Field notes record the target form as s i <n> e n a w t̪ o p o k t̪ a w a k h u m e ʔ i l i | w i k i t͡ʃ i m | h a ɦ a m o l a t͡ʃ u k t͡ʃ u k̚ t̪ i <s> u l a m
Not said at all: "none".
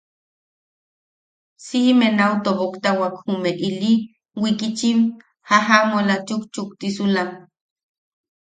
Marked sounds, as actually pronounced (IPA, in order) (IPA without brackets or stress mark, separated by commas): m, s